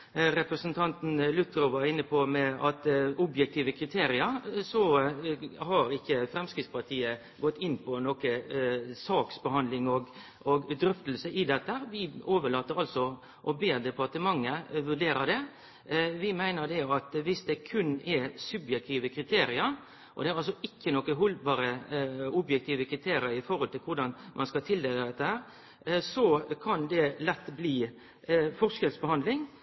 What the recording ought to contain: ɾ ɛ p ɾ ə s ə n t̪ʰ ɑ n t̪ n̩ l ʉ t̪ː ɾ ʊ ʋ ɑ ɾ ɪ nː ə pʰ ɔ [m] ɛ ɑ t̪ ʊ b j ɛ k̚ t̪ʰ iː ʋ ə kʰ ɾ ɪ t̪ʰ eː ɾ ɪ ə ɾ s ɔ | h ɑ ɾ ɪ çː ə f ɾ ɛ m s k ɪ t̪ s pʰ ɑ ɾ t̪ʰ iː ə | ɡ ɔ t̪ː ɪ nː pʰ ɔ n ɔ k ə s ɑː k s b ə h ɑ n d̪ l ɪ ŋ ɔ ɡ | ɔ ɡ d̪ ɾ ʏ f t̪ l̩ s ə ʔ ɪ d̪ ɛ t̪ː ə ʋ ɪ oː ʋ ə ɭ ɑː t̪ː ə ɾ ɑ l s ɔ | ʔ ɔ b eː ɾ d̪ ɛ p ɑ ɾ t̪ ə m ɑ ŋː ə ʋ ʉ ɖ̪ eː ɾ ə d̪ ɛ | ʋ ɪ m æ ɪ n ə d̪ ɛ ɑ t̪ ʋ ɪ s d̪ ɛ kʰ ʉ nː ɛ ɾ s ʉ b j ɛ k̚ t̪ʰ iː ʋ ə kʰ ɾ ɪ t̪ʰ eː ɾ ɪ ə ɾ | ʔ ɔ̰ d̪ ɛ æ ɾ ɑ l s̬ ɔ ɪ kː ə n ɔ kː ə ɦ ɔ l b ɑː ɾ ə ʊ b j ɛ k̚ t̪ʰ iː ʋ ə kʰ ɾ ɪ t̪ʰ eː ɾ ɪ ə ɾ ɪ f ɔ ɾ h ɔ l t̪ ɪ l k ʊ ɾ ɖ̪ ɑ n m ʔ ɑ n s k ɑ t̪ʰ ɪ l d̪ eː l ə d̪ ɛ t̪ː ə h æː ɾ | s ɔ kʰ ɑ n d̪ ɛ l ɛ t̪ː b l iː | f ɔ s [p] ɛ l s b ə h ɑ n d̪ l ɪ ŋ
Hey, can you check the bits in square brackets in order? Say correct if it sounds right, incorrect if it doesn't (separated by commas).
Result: correct, incorrect